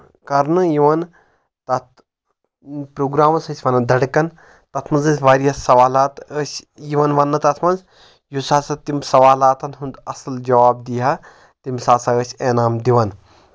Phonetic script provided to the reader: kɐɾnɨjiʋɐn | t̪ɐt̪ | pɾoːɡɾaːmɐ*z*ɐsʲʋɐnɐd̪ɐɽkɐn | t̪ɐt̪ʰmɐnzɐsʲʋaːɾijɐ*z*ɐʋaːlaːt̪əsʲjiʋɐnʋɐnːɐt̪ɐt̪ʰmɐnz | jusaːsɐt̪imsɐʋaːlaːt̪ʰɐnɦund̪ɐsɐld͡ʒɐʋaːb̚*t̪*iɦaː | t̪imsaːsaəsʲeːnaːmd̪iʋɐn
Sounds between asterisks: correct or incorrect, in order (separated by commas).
incorrect, incorrect, incorrect